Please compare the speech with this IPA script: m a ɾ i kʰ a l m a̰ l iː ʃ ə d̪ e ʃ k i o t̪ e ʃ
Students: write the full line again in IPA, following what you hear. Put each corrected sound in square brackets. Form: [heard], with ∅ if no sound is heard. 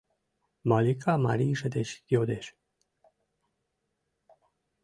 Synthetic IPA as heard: m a [l] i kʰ a [∅] m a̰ [ɾ] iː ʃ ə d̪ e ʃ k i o [d̪] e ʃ